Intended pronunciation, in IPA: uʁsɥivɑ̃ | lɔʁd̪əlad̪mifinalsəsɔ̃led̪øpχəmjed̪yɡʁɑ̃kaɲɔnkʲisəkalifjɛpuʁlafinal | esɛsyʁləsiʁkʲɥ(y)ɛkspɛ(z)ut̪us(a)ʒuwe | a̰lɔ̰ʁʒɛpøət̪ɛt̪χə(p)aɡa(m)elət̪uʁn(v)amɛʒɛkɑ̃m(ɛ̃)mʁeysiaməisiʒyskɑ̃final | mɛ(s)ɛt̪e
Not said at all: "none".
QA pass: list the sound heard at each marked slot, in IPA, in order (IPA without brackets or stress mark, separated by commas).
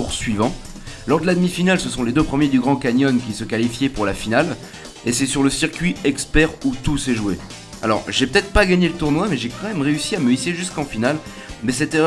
i, ʁ, ɛ, p, ɲ, w, ɛ, s